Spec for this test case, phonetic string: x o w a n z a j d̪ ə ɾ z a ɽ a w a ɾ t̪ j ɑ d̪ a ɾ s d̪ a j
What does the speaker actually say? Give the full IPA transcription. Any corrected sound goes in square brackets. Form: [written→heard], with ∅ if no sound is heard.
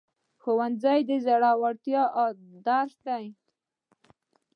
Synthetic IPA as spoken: x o w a n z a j d̪ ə [ɾ→∅] z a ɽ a w a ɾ t̪ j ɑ d̪ a ɾ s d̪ a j